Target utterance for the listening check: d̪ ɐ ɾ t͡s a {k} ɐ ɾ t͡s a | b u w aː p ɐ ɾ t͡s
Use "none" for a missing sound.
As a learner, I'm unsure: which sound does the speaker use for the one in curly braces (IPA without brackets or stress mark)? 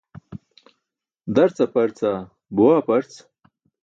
p